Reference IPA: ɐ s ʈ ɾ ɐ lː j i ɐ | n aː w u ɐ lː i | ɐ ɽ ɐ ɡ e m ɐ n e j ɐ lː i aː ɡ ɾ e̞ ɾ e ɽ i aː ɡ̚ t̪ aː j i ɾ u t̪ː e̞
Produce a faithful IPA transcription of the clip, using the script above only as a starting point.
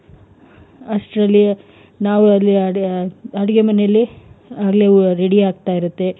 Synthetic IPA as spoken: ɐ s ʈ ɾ ɐ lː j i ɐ | n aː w u ɐ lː i | ɐ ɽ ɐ ɡ e m ɐ n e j ɐ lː i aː ɡ l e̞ ɾ e ɽ i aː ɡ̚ t̪ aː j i ɾ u t̪ː e̞

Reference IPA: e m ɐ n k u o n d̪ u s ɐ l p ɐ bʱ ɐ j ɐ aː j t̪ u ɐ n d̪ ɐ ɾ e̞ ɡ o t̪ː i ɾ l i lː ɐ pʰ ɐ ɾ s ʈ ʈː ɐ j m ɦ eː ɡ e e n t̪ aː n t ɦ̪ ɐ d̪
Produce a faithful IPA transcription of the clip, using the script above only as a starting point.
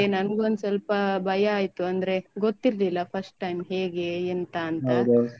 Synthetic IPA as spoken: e n ɐ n ɡ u o n d̪ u s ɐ l p ɐ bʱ ɐ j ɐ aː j t̪ u ɐ n d̪ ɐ ɾ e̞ ɡ o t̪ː i ɾ l i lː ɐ pʰ ɐ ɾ s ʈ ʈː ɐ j m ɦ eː ɡ e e n t̪ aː n t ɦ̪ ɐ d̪

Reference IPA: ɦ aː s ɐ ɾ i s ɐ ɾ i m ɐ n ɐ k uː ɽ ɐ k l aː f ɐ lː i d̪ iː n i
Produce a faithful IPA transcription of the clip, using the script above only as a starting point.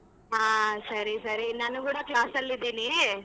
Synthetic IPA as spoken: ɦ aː s ɐ ɾ i s ɐ ɾ i n ɐ n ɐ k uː ɽ ɐ k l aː s ɐ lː i d̪ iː n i

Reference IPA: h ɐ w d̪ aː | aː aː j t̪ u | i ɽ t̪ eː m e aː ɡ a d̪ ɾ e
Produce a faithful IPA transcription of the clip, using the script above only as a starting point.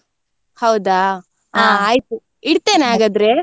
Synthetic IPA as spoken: h ɐ w d̪ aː | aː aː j t̪ u | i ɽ t̪ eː n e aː ɡ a d̪ ɾ e

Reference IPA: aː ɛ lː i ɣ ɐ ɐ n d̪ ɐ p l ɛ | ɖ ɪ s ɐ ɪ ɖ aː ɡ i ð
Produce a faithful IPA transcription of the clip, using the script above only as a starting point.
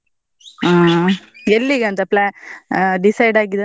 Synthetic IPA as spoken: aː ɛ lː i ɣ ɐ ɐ n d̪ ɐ p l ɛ | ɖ ɪ s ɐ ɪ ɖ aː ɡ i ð

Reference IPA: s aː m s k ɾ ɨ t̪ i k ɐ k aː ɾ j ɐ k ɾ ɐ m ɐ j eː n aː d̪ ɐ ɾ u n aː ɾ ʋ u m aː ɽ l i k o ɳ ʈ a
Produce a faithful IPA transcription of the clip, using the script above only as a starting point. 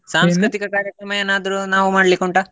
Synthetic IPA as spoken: s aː m s k ɾ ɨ t̪ i k ɐ k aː ɾ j ɐ k ɾ ɐ m ɐ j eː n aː d̪ ɐ ɾ u n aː ʋ u m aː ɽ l i k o ɳ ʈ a

